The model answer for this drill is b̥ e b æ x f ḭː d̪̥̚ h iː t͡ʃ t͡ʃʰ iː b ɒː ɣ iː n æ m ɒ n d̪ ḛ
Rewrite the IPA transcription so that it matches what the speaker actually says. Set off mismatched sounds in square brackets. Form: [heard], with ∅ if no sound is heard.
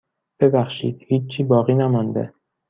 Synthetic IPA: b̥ e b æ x [ʃ] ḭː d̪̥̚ h iː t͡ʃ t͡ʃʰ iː b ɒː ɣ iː n æ m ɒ n d̪ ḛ